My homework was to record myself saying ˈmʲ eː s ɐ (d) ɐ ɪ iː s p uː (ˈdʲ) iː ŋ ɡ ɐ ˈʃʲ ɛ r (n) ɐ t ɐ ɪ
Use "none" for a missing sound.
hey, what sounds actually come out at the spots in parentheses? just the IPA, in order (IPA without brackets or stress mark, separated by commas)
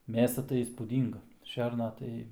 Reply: t, dʲ, n